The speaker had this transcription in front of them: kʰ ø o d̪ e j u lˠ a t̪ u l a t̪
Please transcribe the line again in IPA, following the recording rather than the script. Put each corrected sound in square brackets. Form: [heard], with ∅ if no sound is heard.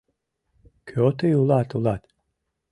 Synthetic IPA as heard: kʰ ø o [t̪] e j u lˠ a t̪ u l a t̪